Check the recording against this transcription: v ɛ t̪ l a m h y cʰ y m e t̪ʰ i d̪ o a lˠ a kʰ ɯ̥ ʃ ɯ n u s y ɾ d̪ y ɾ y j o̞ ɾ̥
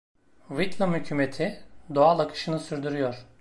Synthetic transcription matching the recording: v i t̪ l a m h y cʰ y m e t̪ʰ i d̪ o a lˠ a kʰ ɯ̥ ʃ ɯ n ɯ s y ɾ d̪ y ɾ y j o̞ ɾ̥

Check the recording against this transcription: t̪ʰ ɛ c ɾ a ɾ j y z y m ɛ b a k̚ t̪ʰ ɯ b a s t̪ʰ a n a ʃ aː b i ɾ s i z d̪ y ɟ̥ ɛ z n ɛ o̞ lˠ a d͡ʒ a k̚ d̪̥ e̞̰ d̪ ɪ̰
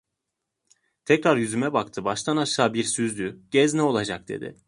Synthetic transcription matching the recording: t̪ʰ ɛ c ɾ a ɾ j y z y m ɛ b a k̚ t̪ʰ ɯ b a ʃ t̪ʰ a n a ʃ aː b i ɾ s y z d̪ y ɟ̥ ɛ z n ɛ o̞ lˠ a d͡ʒ a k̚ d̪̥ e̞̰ d̪ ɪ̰

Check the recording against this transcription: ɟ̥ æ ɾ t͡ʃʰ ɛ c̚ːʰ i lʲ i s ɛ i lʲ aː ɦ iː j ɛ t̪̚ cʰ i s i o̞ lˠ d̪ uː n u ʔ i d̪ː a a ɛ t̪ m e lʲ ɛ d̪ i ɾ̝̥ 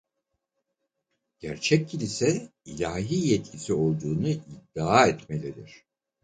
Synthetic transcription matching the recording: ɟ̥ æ ɾ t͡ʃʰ ɛ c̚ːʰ i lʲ i s ɛ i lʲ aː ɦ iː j ɛ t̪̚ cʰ i s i o̞ lˠ d̪ uː n u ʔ i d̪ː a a ɛ t̪ m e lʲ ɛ d̪ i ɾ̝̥

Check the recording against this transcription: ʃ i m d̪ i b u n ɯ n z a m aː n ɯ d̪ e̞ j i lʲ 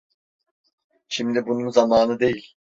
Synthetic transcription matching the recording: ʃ i m d̪ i b u n u n z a m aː n ɯ d̪ e̞ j i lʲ

